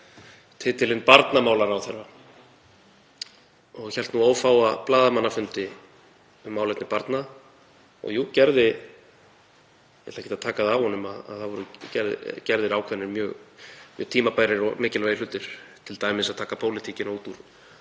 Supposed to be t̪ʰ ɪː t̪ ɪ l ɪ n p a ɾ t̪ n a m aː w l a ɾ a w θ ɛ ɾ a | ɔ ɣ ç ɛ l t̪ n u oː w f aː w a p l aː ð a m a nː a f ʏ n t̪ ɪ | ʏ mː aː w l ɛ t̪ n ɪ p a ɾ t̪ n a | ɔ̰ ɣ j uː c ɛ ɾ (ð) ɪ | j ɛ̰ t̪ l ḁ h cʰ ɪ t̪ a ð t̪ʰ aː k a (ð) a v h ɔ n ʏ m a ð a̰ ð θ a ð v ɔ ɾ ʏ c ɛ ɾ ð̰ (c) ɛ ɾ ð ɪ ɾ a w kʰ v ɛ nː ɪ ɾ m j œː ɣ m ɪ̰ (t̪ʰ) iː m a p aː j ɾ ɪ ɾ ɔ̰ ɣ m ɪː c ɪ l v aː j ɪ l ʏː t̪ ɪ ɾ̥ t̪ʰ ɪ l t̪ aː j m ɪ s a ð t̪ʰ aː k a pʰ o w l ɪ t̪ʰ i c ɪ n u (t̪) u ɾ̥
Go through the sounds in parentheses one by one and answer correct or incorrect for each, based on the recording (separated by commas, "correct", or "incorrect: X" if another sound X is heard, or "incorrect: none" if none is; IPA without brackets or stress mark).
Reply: correct, correct, correct, correct, correct